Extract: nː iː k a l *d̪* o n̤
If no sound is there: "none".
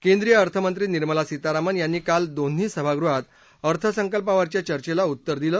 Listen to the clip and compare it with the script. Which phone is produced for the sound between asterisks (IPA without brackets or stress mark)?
d̪